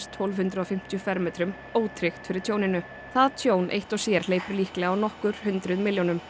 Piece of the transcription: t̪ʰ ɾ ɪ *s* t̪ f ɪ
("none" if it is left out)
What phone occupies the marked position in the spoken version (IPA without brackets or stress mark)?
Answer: x